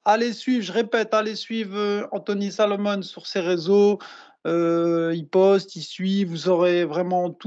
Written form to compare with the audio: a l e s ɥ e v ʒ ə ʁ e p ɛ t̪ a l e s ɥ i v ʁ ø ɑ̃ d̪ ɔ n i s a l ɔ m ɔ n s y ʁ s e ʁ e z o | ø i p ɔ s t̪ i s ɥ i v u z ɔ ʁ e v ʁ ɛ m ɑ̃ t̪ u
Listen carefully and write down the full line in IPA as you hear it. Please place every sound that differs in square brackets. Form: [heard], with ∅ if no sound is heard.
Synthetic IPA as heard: a l e s ɥ [i] v ʒ ə ʁ e p ɛ t̪ a l e s ɥ i v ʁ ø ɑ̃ [t̪] ɔ n i s a l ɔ m ɔ n s y ʁ s e ʁ e z o | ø i p ɔ s t̪ i s ɥ i v u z ɔ ʁ e v ʁ ɛ m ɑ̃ t̪ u